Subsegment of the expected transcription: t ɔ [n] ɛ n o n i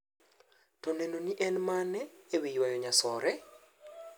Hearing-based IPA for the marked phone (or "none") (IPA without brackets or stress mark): n